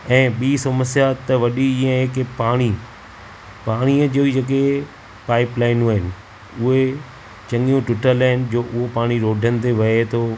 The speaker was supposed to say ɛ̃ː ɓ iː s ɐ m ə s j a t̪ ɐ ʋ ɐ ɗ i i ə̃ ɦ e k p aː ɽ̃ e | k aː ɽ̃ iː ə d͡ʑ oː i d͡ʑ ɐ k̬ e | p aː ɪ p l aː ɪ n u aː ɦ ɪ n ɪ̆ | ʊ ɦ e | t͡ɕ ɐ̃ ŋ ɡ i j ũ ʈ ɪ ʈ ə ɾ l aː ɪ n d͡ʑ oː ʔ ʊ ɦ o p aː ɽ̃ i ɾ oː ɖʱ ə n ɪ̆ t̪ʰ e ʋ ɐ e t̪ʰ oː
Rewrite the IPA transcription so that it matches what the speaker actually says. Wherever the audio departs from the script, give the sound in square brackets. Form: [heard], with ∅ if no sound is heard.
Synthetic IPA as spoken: ɛ̃ː ɓ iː s ɐ m ə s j a t̪ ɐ ʋ ɐ ɗ i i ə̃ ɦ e k p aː ɽ̃ [i] | [p] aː ɽ̃ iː ə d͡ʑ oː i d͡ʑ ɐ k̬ e | p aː ɪ p l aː ɪ n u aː ɦ ɪ n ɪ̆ | ʊ ɦ e | t͡ɕ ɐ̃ ŋ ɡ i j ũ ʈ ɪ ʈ ə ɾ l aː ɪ n d͡ʑ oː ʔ ʊ ɦ o p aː ɽ̃ i ɾ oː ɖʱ ə n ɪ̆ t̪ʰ e ʋ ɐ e t̪ʰ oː